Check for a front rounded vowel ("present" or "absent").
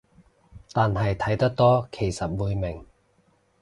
absent